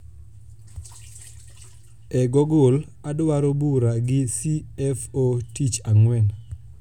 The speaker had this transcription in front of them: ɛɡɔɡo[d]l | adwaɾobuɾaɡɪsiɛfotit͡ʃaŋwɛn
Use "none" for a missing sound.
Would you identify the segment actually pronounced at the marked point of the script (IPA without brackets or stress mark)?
none